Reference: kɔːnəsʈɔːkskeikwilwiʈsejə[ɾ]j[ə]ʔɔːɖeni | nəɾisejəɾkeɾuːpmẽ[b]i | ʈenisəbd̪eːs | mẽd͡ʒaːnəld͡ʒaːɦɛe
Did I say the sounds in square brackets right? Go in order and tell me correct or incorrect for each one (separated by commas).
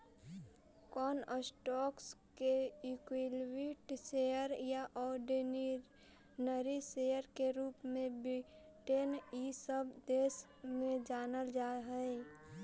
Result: correct, incorrect, correct